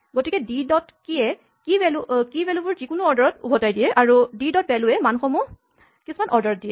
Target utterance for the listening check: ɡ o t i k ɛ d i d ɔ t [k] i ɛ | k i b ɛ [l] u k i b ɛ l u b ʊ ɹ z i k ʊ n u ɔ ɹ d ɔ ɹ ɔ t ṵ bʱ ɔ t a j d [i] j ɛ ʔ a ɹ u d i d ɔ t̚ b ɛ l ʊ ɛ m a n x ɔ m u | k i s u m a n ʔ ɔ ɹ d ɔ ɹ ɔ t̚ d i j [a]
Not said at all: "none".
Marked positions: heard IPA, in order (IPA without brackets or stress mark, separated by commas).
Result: k, l, i, ɛ